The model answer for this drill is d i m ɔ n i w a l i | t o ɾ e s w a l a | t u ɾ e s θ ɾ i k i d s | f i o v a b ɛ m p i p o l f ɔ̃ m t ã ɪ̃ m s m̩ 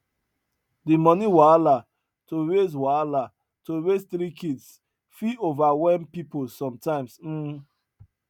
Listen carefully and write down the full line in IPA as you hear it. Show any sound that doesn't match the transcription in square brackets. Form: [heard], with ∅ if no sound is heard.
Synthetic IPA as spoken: d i m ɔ n i w a l [a] | t o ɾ e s w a l a | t [o] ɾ e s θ ɾ i k i d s | f i o v a [w] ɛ m p i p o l [s] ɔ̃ m t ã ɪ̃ m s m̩